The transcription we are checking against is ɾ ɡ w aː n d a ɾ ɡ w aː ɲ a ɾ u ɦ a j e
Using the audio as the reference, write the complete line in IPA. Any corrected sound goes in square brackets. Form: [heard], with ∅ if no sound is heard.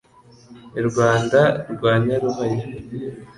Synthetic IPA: ɾ ɡ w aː n d a ɾ ɡ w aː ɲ a ɾ u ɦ a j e